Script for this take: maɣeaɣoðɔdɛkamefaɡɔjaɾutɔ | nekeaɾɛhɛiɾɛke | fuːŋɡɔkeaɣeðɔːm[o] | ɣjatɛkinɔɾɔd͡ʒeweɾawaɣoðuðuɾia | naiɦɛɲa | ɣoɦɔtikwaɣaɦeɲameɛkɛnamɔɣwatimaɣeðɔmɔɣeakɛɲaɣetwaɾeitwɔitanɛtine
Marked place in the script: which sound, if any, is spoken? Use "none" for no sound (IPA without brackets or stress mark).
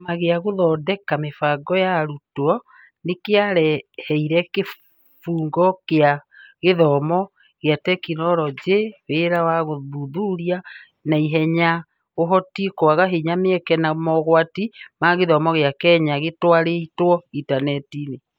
ɔ